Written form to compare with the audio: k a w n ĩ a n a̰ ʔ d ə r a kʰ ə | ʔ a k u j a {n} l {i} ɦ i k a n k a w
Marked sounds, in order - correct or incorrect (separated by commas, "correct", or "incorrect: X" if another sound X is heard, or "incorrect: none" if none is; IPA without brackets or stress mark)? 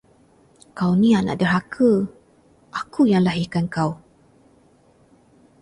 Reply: incorrect: ŋ, incorrect: a